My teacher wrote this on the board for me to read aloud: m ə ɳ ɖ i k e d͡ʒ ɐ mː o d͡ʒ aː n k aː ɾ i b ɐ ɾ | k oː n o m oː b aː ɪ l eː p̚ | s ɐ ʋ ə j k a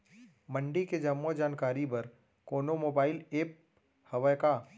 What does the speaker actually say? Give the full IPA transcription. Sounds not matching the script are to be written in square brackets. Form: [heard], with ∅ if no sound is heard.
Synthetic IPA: m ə ɳ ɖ i k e d͡ʒ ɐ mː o d͡ʒ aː n k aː ɾ i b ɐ ɾ | k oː n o m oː b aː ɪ l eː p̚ | [h] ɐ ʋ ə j k a